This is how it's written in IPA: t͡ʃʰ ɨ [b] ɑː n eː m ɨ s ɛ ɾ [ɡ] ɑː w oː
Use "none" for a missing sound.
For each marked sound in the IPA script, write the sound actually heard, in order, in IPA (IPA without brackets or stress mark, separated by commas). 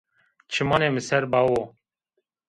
m, b